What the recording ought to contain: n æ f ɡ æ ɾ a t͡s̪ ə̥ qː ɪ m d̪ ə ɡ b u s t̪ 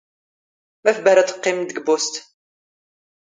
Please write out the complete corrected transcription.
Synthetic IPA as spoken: m æ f b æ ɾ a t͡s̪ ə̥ qː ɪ m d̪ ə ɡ b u s t̪

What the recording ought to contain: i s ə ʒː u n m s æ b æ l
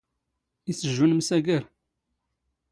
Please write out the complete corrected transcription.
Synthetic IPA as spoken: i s ə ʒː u n m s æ ɡ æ ɾ

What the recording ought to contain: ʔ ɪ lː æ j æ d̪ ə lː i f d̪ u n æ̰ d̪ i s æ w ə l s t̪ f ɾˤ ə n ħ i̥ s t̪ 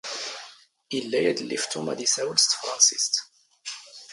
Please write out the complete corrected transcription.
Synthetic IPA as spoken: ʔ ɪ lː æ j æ d̪ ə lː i f t̪ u m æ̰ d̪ i s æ w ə l s t̪ f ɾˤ ɑ n s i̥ s t̪

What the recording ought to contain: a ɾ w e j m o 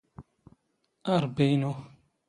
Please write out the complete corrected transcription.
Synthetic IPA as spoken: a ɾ b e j n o

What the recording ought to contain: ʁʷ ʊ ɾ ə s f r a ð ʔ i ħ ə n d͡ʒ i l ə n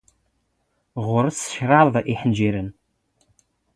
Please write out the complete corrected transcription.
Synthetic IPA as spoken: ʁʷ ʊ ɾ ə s ʃ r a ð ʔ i ħ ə n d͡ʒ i ɾ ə n

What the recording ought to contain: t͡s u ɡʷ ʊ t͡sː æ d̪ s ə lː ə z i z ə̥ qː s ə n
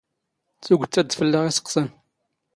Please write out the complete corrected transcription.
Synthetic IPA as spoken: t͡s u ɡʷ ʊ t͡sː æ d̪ f ə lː ə ʁ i s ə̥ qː s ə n

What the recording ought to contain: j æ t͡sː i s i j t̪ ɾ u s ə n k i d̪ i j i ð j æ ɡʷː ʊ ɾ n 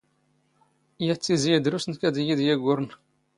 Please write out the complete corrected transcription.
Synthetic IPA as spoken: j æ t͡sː i z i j d̪ ɾ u s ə n k æ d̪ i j i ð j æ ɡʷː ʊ ɾ n

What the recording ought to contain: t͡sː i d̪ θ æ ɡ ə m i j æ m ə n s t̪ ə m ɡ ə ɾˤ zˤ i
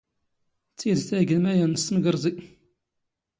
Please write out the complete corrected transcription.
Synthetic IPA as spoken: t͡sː i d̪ θ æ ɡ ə m æ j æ n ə s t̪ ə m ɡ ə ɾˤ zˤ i

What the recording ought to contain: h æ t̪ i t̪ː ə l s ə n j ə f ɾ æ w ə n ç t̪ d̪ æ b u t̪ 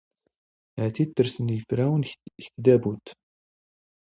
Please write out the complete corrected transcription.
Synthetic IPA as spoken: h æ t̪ i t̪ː ə ɾ s ə n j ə f ɾ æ w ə n ç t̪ d̪ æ b u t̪

